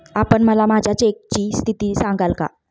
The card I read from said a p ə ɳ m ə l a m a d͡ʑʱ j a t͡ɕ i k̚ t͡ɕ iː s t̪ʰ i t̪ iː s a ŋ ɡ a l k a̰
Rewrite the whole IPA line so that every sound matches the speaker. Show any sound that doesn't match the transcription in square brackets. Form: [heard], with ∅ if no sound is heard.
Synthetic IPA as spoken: a p ə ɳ m ə l a m a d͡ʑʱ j a t͡ɕ [e] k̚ t͡ɕ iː s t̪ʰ i t̪ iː s a ŋ ɡ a l k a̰